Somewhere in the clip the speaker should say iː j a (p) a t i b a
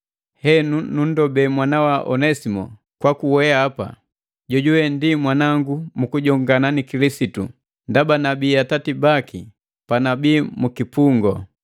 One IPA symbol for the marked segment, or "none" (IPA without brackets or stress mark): t